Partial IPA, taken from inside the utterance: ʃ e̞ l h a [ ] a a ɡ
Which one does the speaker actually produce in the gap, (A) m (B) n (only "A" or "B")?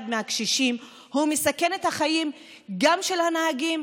B